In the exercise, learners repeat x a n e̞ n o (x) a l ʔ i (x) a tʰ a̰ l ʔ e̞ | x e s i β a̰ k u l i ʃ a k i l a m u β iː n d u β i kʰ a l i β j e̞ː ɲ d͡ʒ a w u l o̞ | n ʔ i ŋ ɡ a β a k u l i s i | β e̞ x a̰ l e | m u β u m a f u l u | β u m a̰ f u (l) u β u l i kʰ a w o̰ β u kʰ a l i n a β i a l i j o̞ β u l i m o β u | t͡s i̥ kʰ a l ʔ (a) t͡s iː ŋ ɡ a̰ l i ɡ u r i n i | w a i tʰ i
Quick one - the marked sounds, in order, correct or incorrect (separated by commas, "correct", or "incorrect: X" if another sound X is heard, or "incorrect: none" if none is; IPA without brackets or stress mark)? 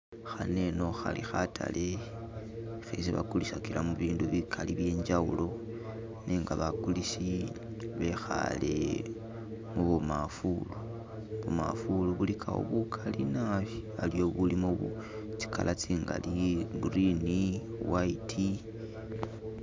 correct, correct, correct, correct